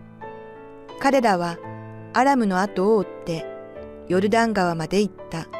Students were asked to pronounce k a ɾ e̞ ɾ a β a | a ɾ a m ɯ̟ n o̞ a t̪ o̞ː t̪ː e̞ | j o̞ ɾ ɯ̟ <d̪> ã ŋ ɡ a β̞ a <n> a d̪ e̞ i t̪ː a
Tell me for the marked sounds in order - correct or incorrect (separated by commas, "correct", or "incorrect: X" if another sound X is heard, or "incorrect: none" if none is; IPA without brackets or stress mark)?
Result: correct, incorrect: m